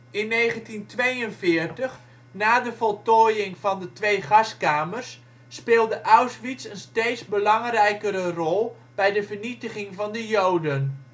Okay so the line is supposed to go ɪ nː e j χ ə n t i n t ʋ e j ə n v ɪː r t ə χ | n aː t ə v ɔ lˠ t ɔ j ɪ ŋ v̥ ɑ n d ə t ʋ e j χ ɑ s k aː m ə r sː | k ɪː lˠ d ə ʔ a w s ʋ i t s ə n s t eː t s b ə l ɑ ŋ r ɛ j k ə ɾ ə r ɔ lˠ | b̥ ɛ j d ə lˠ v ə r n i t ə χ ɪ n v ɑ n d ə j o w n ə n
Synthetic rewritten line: ɪ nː e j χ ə n t i n t ʋ e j ə n v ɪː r t ə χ | n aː d ə v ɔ lˠ t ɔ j ɪ ŋ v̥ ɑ n d ə t ʋ e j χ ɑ s k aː m ə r sː | p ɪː lˠ d ə ʔ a w s ʋ i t s ə n s t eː t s b ə l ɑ ŋ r ɛ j k ə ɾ ə r ɔ lˠ | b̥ ɛ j d ə v ə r n i t ə χ ɪ ŋ v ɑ n d ə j o w d ə n